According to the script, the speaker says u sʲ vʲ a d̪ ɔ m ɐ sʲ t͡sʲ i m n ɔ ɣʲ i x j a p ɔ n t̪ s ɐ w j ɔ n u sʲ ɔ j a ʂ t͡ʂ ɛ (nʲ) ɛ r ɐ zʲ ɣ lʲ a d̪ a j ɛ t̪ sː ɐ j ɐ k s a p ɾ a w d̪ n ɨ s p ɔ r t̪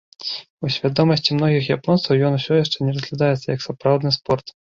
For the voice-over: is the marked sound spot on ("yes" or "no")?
yes